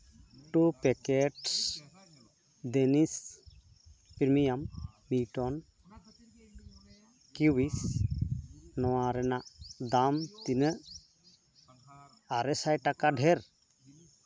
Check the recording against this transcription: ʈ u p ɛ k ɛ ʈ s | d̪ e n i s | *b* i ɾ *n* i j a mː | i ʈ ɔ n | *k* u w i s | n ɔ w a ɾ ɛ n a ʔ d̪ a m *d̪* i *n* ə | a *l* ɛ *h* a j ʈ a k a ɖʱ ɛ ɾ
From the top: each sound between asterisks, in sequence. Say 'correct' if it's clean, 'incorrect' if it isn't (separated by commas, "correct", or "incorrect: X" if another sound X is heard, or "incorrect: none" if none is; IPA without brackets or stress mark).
incorrect: p, incorrect: m, correct, incorrect: t̪, correct, incorrect: ɾ, incorrect: s